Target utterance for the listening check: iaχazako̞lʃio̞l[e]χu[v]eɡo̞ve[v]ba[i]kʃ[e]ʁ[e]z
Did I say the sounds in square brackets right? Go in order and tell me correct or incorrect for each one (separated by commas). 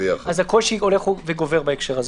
correct, correct, incorrect, incorrect, correct, incorrect